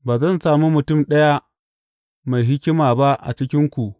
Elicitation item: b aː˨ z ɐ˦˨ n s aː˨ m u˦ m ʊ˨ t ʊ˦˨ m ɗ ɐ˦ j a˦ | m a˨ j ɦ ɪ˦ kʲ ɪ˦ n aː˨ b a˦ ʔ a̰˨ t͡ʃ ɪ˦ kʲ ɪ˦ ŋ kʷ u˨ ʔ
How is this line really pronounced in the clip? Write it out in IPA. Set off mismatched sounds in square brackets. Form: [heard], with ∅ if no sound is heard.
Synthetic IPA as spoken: b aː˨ z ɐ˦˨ n s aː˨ m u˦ m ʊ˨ t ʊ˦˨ m ɗ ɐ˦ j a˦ | m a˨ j ɦ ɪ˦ kʲ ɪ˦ [m] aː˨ b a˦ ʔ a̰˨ t͡ʃ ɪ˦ kʲ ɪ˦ ŋ kʷ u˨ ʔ

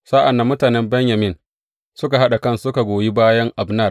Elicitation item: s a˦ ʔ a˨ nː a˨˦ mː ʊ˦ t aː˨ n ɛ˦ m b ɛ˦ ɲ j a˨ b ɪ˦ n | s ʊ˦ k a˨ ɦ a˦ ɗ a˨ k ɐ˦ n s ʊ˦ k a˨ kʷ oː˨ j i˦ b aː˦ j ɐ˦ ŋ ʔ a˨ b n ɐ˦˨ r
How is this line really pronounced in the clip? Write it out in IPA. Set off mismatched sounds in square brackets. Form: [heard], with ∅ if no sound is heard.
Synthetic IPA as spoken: s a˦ ʔ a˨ nː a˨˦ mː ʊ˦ t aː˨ n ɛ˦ m b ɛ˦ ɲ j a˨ [m] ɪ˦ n | s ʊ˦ k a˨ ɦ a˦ ɗ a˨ k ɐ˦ n s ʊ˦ k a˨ [ɡʷ] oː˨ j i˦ b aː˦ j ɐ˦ ŋ ʔ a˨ b n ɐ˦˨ r

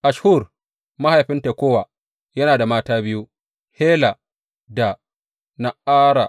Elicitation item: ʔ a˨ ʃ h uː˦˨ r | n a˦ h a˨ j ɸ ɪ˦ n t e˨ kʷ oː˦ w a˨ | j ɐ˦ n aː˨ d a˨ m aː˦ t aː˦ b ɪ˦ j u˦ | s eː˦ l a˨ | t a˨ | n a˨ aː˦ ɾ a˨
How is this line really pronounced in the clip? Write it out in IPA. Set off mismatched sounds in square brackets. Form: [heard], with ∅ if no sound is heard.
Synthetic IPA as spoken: ʔ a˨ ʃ h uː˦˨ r | [m] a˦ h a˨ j ɸ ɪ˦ n t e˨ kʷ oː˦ w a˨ | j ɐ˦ n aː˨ d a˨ m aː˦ t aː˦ b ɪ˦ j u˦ | [h] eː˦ l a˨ | [d] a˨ | n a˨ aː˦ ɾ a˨

